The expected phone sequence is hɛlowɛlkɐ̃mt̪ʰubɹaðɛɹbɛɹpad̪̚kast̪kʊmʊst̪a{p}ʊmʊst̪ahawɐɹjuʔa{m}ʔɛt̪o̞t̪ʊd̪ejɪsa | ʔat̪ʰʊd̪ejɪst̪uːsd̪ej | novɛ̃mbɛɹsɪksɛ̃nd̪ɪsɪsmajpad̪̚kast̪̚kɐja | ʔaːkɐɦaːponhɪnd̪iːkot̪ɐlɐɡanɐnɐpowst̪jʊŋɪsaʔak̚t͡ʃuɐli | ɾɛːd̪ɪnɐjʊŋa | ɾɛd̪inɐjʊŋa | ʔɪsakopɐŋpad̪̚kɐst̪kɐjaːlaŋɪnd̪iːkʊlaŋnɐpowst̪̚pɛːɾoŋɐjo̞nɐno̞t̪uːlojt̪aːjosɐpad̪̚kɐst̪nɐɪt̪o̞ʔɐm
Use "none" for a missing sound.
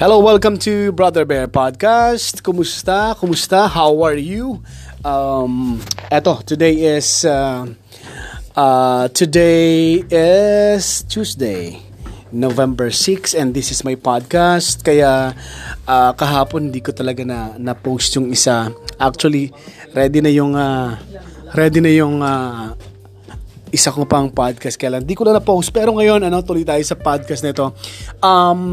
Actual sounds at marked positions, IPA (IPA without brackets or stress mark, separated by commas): k, m